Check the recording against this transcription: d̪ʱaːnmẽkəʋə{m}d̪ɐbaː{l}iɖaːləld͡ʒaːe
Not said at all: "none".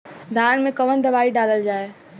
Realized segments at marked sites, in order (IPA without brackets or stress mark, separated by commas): n, none